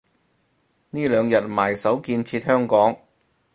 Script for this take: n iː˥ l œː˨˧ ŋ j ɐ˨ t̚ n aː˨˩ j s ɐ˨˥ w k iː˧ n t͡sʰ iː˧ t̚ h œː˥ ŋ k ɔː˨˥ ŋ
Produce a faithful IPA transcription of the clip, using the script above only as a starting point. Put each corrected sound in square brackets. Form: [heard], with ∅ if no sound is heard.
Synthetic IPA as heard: n iː˥ l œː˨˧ ŋ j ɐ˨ t̚ [m] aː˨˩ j s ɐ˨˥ w k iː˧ n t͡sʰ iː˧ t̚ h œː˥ ŋ k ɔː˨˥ ŋ